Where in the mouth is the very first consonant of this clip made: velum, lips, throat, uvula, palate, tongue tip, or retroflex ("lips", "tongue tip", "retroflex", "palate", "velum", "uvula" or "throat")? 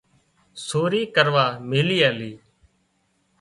tongue tip